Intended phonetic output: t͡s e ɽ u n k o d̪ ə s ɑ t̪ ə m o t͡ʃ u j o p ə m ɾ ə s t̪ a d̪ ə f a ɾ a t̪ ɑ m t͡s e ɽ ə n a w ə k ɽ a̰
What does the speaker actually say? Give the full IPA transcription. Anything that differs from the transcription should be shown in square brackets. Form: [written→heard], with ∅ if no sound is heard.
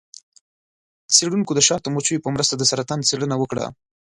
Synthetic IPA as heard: t͡s e ɽ u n k o d̪ ə [s→ʃ] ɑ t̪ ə m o t͡ʃ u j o p ə m ɾ ə s t̪ a d̪ ə [f→s] a ɾ a t̪ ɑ [m→n] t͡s e ɽ ə n a w ə k ɽ a̰